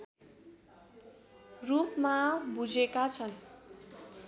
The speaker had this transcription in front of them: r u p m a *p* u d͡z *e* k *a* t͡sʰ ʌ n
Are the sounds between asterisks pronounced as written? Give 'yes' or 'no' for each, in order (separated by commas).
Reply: no, yes, yes